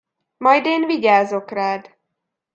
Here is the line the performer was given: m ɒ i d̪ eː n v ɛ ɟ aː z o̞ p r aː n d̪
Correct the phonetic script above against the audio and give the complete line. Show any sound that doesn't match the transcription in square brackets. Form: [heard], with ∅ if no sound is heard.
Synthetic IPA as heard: m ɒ [j] d̪ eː n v [i] ɟ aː z o̞ [k] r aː [∅] d̪